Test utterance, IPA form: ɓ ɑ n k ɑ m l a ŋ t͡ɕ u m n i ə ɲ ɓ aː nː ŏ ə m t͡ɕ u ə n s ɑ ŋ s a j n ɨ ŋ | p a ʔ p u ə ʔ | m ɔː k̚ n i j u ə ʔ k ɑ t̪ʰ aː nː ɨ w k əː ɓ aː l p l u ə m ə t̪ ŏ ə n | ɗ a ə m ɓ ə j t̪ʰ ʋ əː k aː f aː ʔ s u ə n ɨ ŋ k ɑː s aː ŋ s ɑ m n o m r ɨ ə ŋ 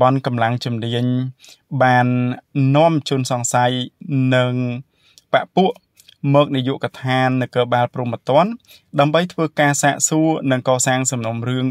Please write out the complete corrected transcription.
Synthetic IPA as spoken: ɓ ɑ n k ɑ m l a ŋ t͡ɕ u m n i ə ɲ ɓ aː nː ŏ ə m t͡ɕ u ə n s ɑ ŋ s a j n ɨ ŋ | p a ʔ p u ə ʔ | m ɔː k̚ n i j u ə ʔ k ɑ t̪ʰ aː nː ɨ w k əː ɓ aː l p r u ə m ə t̪ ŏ ə n | ɗ a ə m ɓ ə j t̪ʰ ʋ əː k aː s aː ʔ s u ə n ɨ ŋ k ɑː s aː ŋ s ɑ m n o m r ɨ ə ŋ